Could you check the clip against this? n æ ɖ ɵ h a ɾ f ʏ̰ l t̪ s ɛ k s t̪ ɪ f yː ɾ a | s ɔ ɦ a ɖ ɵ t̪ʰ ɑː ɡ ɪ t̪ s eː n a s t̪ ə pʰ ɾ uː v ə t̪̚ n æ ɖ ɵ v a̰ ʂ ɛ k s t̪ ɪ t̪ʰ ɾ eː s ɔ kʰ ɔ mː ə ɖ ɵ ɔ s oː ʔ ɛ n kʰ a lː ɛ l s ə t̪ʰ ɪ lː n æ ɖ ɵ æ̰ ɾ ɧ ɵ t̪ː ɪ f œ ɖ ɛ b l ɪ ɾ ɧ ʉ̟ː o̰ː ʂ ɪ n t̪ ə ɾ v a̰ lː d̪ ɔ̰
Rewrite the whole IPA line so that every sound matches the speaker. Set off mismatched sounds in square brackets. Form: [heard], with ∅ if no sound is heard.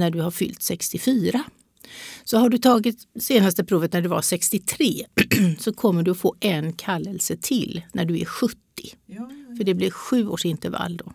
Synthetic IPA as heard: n æ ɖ ɵ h a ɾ f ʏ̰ l t̪ s ɛ k s t̪ ɪ f yː ɾ a | s ɔ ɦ a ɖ ɵ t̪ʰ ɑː ɡ ɪ t̪ s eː n a s t̪ ə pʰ ɾ uː v ə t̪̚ n æ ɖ ɵ v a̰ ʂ ɛ k s t̪ ɪ t̪ʰ ɾ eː s ɔ kʰ ɔ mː ə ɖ ɵ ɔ [f] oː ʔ ɛ n kʰ a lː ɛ l s ə t̪ʰ ɪ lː n æ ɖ ɵ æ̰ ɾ ɧ ɵ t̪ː ɪ f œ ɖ ɛ b l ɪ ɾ ɧ ʉ̟ː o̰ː ʂ ɪ n t̪ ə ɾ v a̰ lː d̪ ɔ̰